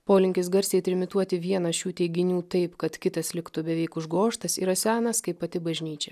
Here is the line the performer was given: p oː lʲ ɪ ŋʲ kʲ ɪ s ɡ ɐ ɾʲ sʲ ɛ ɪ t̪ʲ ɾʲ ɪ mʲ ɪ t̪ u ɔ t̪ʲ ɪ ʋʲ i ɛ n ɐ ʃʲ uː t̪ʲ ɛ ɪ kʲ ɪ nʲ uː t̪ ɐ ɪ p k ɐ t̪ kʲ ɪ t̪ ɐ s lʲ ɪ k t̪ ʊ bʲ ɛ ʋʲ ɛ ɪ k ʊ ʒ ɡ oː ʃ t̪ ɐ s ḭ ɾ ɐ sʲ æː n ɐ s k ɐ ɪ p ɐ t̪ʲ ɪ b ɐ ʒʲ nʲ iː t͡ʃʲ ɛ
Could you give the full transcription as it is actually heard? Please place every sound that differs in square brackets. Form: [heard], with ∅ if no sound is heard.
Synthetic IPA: p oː lʲ ɪ ŋʲ kʲ ɪ s ɡ ɐ ɾʲ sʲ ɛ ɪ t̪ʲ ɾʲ ɪ mʲ ɪ t̪ u ɔ t̪ʲ ɪ ʋʲ i ɛ n ɐ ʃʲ uː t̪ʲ ɛ ɪ [ɡʲ] ɪ nʲ uː t̪ ɐ ɪ p k ɐ t̪ kʲ ɪ t̪ ɐ s lʲ ɪ k t̪ ʊ bʲ ɛ ʋʲ ɛ ɪ k ʊ ʒ ɡ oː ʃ t̪ ɐ s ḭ ɾ ɐ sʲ æː n ɐ s k ɐ ɪ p ɐ t̪ʲ ɪ b ɐ ʒʲ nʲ iː t͡ʃʲ ɛ